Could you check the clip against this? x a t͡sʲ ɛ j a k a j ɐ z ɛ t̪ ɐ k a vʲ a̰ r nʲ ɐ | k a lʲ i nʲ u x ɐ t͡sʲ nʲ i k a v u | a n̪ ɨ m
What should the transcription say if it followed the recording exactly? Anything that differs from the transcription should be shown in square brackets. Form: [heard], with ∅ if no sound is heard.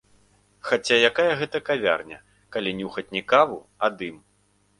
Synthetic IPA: x a t͡sʲ [a] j a k a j ɐ [ɣ] ɛ t̪ ɐ k a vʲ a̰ r nʲ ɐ | k a lʲ i nʲ u x ɐ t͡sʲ nʲ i k a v u | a [d̪] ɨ m